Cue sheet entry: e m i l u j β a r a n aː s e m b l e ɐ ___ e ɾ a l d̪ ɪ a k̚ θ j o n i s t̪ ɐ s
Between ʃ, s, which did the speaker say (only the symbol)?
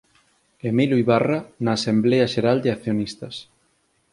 ʃ